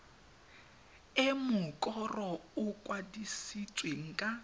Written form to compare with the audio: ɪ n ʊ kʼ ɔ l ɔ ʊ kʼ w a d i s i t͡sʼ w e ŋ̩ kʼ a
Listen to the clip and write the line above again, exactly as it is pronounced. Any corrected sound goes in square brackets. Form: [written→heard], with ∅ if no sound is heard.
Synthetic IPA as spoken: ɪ [n→m] ʊ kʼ ɔ [l→r] ɔ ʊ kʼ w a d i s i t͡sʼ w e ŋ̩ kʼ a